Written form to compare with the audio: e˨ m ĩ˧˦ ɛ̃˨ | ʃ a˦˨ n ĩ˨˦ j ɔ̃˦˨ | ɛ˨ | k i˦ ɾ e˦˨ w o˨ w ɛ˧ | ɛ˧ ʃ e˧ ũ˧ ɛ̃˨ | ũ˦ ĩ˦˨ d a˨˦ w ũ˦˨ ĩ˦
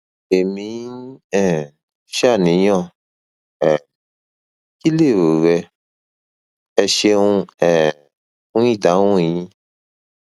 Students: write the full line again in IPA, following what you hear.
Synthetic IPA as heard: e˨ m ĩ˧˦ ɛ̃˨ | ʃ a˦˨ n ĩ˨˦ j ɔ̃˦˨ | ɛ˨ | k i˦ l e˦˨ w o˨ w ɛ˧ | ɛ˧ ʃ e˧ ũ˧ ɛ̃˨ | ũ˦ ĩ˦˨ d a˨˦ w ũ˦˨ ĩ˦